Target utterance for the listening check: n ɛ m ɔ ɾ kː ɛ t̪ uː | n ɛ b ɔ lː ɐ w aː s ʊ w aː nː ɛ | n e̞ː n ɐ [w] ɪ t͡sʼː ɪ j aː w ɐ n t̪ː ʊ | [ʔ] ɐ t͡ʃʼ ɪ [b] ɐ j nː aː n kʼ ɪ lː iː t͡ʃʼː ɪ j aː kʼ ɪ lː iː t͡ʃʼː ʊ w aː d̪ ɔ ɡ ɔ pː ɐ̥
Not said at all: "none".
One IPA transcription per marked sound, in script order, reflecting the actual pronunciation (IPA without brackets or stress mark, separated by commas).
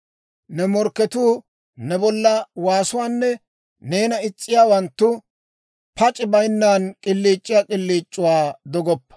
none, p, b